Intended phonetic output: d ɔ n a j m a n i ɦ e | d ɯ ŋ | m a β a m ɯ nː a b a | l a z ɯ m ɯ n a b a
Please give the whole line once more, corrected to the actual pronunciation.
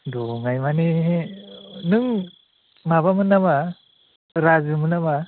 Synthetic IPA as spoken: d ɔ ŋ a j m a n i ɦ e | n ɯ ŋ | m a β a m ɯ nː a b a | ɾ a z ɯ m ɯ n a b a